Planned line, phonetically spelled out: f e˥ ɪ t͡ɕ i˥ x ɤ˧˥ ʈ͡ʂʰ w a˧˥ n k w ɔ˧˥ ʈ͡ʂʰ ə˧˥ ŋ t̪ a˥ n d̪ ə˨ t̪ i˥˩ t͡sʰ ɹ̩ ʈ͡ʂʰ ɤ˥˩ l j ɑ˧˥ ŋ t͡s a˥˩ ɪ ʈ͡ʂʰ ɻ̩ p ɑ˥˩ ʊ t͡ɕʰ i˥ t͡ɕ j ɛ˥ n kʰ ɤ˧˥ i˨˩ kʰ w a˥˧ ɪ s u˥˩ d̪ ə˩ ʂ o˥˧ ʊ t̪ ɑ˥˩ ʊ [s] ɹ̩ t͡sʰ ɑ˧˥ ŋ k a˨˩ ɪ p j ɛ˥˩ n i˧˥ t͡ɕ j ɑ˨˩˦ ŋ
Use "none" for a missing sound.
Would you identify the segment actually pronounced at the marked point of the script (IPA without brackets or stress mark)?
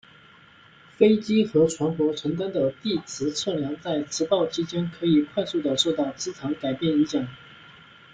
t͡s